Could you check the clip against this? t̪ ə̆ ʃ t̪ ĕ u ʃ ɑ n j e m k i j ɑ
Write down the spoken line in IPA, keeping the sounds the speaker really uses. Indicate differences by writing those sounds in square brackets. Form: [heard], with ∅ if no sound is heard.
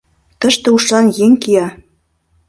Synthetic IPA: t̪ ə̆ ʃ t̪ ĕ u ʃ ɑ n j e [ŋ] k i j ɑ